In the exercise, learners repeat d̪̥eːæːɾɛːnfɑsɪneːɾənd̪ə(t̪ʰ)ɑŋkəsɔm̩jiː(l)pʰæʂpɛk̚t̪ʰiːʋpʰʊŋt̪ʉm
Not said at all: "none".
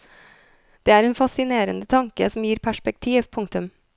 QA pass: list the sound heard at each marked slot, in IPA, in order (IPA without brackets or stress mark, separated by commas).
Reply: t̪ʰ, ɾ